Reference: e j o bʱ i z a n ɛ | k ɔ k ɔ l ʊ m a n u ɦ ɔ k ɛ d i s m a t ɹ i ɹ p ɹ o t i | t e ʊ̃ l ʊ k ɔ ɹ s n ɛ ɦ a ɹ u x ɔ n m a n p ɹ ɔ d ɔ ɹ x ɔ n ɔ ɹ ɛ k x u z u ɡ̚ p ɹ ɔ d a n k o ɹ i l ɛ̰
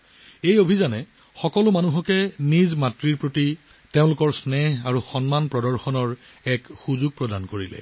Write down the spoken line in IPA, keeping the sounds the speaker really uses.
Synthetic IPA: e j o bʱ i z a n ɛ | x ɔ k ɔ l ʊ m a n u ɦ ɔ k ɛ n i z m a t ɹ i ɹ p ɹ o t i | t e ʊ̃ l ʊ k ɔ ɹ s n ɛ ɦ a ɹ u x ɔ n m a n p ɹ ɔ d ɔ ɹ x ɔ n ɔ ɹ ɛ k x u z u ɡ̚ p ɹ ɔ d a n k o ɹ i l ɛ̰